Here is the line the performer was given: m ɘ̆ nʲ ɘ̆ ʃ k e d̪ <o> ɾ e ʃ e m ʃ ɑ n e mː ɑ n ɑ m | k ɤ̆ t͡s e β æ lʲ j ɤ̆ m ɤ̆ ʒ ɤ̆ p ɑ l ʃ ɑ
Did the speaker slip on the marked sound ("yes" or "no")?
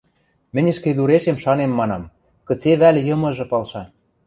yes